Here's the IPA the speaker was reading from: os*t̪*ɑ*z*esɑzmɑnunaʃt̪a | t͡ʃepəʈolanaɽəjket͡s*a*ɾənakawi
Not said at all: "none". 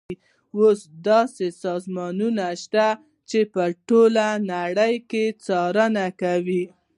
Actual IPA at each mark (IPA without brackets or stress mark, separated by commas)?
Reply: d̪, s, ɑ